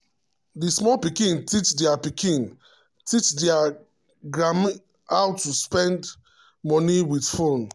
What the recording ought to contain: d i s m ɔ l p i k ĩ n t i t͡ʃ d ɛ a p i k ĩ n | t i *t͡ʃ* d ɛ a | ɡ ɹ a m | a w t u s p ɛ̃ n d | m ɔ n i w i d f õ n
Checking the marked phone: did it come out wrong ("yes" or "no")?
no